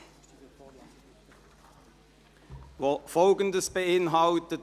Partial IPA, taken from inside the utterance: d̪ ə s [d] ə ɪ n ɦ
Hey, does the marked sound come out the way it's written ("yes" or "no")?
no